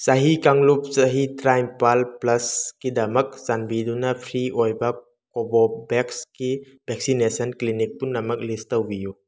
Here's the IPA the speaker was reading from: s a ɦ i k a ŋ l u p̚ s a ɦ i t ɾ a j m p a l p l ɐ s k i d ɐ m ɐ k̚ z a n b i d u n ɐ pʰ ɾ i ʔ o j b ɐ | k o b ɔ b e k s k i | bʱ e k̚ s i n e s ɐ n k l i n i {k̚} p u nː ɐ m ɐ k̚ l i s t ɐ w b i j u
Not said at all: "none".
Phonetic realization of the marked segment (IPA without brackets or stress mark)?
k̚